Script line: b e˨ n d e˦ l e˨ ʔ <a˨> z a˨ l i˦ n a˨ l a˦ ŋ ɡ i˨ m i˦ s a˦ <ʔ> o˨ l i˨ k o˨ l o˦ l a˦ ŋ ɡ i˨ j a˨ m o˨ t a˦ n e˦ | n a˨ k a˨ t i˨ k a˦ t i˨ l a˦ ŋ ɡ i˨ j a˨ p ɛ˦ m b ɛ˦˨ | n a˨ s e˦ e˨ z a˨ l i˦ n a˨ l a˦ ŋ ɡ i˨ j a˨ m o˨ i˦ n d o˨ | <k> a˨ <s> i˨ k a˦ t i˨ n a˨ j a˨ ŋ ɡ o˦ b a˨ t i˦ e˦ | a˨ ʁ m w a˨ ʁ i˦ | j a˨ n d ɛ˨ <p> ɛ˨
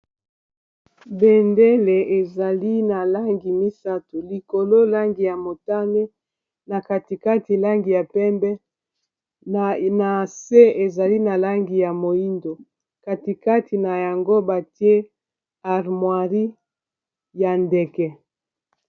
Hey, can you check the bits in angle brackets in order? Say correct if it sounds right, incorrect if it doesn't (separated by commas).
incorrect, incorrect, correct, incorrect, incorrect